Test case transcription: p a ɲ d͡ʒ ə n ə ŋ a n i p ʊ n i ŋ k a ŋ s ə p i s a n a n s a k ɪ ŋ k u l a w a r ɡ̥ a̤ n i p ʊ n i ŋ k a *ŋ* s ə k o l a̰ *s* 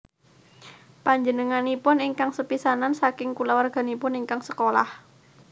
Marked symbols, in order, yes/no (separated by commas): yes, no